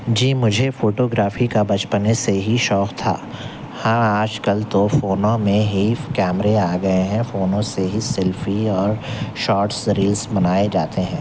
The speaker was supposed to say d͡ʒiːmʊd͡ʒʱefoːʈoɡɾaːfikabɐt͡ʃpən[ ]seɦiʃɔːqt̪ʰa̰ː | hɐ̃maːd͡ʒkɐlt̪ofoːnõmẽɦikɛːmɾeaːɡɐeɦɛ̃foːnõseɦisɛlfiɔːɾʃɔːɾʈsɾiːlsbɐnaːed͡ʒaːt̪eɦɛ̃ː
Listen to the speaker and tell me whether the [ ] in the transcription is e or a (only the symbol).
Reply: e